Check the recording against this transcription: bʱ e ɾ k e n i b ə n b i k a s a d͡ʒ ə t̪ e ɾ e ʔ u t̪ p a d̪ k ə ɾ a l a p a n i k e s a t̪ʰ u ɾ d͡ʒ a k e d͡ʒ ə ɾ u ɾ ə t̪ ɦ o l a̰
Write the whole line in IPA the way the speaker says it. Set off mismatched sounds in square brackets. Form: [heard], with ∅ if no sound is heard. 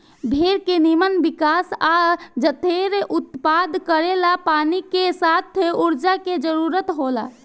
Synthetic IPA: bʱ e ɾ k e n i [m] ə n b i k a s a d͡ʒ ə t̪ e ɾ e ʔ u t̪ p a d̪ k ə ɾ [e] l a p a n i k e s a t̪ʰ u ɾ d͡ʒ a k e d͡ʒ ə ɾ u ɾ ə t̪ ɦ o l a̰